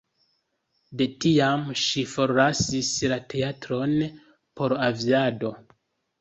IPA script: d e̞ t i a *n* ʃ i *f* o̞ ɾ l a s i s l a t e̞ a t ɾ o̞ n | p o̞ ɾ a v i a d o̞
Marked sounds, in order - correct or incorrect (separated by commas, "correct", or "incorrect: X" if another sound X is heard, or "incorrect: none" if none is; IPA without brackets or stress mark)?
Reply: incorrect: m, correct